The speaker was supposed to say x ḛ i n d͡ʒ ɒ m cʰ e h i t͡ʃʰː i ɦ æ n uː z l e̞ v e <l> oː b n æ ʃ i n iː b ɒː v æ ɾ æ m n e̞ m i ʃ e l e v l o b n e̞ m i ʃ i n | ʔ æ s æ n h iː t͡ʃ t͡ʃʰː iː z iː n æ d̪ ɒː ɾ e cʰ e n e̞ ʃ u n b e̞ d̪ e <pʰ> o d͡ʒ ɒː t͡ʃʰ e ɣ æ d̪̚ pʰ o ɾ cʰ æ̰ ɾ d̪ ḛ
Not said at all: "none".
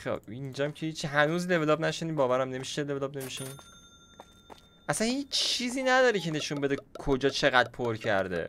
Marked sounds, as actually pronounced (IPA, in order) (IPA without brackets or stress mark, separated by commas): l, kʰ